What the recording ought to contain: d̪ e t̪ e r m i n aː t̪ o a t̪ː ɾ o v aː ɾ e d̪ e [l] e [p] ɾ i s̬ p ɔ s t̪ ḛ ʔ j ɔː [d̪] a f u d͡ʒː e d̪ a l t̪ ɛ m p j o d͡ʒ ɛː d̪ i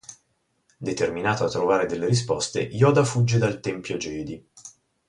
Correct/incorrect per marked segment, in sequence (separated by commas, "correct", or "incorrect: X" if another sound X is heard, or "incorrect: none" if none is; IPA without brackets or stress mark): incorrect: lː, incorrect: none, correct